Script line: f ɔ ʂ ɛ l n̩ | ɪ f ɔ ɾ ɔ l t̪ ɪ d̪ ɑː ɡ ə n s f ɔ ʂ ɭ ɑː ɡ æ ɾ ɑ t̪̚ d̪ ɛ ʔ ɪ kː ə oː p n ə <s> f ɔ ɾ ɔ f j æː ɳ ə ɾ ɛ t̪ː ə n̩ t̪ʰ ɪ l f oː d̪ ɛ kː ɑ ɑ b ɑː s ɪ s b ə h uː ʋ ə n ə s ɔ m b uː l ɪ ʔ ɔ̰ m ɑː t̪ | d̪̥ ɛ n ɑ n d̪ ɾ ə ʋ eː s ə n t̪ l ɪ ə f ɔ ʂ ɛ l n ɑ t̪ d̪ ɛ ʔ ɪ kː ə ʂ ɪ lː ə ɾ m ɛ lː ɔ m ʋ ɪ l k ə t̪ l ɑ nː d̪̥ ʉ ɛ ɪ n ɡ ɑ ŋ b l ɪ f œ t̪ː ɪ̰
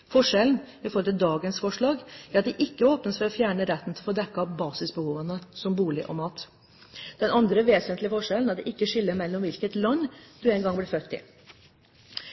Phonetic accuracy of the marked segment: correct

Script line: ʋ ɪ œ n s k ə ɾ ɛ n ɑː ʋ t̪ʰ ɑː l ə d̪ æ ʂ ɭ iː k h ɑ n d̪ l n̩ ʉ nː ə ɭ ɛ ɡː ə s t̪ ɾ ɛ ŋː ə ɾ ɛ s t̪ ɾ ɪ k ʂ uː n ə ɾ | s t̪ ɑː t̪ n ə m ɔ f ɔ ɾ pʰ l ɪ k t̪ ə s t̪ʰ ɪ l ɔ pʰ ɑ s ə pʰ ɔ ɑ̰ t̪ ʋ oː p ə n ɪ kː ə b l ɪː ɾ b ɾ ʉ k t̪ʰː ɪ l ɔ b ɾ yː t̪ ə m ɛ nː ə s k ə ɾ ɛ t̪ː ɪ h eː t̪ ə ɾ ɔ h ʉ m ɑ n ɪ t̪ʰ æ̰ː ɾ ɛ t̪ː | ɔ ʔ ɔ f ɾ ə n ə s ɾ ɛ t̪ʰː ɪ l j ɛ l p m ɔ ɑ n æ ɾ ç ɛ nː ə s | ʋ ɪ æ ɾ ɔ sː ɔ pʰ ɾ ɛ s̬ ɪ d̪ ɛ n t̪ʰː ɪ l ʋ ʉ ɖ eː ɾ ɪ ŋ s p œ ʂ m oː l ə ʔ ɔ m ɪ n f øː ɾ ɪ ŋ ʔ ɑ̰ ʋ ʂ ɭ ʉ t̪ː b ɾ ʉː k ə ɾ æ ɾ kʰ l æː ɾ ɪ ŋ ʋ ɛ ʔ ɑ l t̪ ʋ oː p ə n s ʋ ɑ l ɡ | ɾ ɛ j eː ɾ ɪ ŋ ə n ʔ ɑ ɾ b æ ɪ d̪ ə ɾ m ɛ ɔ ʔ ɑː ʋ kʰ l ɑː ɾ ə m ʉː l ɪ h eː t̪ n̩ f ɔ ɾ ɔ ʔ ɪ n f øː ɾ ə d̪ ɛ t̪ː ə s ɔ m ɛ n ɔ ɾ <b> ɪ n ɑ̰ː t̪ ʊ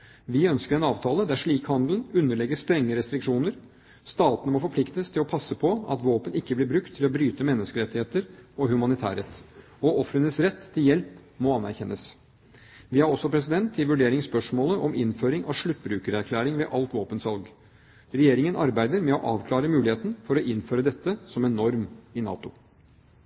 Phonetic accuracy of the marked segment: incorrect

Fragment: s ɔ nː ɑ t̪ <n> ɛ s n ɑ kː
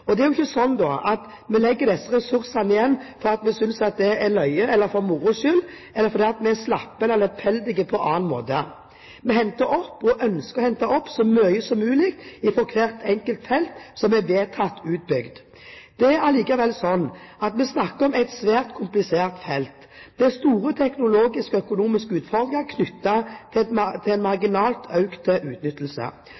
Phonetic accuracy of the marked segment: incorrect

